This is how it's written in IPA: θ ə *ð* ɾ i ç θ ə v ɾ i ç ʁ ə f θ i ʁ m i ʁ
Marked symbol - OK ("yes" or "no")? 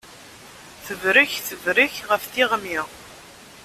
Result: no